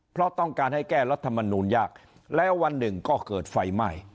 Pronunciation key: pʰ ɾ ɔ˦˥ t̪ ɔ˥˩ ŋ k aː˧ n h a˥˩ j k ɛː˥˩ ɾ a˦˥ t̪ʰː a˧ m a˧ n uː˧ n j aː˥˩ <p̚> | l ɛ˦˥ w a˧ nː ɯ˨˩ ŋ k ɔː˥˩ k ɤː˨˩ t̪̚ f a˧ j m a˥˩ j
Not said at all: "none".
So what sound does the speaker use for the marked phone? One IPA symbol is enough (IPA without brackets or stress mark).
k̚